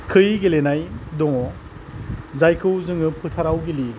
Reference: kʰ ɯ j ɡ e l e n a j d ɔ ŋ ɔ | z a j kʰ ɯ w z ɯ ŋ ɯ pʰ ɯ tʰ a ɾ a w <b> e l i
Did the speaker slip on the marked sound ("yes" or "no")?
yes